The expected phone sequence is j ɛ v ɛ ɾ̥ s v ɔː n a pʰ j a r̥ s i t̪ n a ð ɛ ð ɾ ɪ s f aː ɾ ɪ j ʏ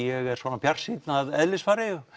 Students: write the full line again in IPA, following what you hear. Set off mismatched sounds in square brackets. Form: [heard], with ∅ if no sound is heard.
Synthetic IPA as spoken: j ɛ [ɣ] ɛ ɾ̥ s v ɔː n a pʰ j a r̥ s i t̪ n a ð ɛ ð [l] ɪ s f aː ɾ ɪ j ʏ